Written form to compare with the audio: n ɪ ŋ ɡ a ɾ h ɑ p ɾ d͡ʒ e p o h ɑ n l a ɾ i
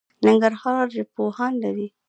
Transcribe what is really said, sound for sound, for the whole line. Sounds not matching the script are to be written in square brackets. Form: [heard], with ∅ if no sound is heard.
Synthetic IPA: n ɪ ŋ ɡ a ɾ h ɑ [∅] ɾ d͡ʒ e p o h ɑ n l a ɾ i